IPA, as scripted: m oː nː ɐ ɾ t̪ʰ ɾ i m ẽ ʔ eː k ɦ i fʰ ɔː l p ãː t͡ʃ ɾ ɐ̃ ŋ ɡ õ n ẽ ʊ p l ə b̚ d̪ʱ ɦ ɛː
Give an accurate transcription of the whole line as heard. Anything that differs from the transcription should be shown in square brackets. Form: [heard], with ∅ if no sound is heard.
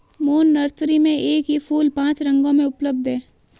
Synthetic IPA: m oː nː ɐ ɾ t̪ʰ ɾ i m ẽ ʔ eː k ɦ i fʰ [uː] l p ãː t͡ʃ ɾ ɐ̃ ŋ ɡ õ [m] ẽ ʊ p l ə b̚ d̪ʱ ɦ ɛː

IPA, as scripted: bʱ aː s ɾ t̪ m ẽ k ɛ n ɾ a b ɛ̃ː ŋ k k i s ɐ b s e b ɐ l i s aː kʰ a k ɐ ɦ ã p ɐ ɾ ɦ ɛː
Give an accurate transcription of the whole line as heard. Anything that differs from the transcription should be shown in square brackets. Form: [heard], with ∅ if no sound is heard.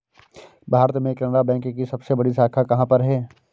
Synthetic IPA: bʱ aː [∅] ɾ t̪ m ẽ k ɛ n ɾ a b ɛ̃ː ŋ k k i s ɐ b s e b ɐ [ɽ] i s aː kʰ a k ɐ ɦ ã p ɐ ɾ ɦ ɛː

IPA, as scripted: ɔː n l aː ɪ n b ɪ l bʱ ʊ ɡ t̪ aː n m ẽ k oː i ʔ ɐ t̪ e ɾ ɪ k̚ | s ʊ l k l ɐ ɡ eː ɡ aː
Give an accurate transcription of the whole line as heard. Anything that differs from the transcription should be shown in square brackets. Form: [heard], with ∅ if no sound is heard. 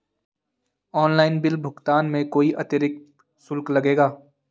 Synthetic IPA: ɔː n l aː ɪ n b ɪ l bʱ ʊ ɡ t̪ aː n m ẽ k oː i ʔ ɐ t̪ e ɾ ɪ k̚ | s ʊ l k l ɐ ɡ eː ɡ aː

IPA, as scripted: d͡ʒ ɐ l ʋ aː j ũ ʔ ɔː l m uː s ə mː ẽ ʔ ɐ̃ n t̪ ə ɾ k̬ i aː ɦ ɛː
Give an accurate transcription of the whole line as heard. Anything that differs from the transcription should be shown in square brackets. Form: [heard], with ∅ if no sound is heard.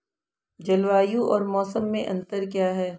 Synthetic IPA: d͡ʒ ɐ l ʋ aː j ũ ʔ ɔː [ɾ] m [ɔː] s ə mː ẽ ʔ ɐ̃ n t̪ ə ɾ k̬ [j] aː ɦ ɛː

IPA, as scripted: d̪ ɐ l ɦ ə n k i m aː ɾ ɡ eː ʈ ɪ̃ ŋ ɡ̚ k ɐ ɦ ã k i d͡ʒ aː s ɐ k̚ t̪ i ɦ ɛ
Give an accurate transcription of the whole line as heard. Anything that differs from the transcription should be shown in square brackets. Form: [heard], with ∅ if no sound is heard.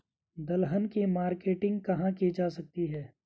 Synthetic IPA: d̪ ɐ l ɦ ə n k i m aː ɾ [k] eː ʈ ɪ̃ ŋ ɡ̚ k ɐ ɦ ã k i d͡ʒ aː s ɐ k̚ t̪ i ɦ [ɛː]

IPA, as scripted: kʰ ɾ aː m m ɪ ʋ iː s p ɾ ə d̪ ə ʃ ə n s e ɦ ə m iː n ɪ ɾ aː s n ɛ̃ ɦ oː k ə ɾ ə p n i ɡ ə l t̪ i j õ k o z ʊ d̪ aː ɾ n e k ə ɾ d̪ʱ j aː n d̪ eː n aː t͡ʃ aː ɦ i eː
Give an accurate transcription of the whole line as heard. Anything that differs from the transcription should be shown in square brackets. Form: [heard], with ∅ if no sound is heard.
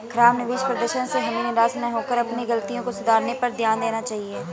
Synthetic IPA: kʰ ɾ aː m [n] ɪ ʋ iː [ʃ] p ɾ ə d̪ ə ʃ ə n s e ɦ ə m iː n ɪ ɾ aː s n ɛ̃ ɦ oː k ə ɾ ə p n i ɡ ə l t̪ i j õ k o [s] ʊ d̪ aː ɾ n e [p] ə ɾ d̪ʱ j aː n d̪ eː n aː t͡ʃ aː ɦ i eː

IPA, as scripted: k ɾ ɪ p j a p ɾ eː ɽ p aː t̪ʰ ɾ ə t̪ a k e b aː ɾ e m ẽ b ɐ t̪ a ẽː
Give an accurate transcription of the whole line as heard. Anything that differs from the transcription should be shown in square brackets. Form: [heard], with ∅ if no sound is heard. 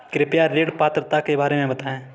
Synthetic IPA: k ɾ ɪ p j a [∅] ɾ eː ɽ p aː [t̪] ɾ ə t̪ a k e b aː ɾ e m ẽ b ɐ t̪ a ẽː

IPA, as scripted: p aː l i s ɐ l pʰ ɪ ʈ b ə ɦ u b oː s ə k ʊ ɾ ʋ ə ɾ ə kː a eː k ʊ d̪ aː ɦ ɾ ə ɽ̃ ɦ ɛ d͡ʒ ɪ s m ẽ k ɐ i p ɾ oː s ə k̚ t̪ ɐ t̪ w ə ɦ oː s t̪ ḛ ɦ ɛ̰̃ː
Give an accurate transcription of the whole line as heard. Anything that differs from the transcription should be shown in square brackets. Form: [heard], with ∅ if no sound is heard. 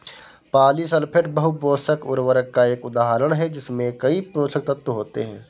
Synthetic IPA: p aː l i s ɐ l pʰ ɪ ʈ b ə ɦ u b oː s ə k ʊ ɾ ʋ ə ɾ ə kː a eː k ʊ d̪ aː ɦ ɾ ə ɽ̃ ɦ ɛ d͡ʒ ɪ s m ẽ k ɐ i p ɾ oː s ə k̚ t̪ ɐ t̪ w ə ɦ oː [∅] t̪ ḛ ɦ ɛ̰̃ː

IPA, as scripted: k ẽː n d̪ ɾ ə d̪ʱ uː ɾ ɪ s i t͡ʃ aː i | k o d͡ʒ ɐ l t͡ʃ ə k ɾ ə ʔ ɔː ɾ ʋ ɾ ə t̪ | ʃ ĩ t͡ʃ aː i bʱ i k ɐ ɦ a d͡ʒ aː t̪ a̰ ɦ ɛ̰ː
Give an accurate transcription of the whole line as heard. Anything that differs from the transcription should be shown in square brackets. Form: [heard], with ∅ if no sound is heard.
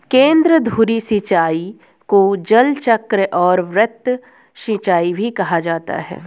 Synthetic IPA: k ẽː n d̪ ɾ ə d̪ʱ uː ɾ [i] s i t͡ʃ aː i | k o d͡ʒ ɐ l t͡ʃ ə k ɾ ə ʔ ɔː ɾ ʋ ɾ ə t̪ | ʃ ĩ t͡ʃ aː i bʱ i k ɐ ɦ a d͡ʒ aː t̪ a̰ ɦ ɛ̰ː

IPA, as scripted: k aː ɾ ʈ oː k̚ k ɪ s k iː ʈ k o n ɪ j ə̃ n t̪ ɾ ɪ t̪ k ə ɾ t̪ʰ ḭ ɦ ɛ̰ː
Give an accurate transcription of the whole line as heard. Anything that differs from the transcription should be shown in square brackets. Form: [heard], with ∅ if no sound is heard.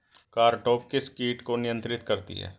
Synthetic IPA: k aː ɾ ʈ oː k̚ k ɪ s k iː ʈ k o n ɪ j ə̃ n t̪ ɾ ɪ t̪ k ə ɾ [t̪] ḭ ɦ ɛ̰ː

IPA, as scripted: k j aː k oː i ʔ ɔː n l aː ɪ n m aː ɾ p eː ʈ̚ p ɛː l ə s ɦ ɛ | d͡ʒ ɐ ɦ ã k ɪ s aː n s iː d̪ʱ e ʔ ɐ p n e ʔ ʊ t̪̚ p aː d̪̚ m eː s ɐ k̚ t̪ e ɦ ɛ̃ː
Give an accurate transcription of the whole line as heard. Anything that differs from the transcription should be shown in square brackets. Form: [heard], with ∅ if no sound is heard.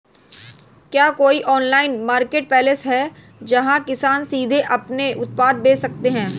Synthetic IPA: k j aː k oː i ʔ ɔː n l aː ɪ n m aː ɾ [k] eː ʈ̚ p ɛː l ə s ɦ ɛ | d͡ʒ ɐ ɦ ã k ɪ s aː n s iː d̪ʱ e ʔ ɐ p n e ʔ ʊ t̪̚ p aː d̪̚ [b] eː s ɐ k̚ t̪ e ɦ ɛ̃ː

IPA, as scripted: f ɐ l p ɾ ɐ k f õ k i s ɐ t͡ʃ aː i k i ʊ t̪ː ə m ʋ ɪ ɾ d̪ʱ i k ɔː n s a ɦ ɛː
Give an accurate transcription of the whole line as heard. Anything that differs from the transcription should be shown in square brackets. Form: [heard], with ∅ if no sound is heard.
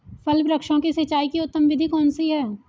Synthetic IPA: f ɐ l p ɾ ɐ k [ʃ] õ k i s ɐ t͡ʃ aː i k i ʊ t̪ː ə m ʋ ɪ [∅] d̪ʱ i k ɔː n s [i] ɦ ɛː

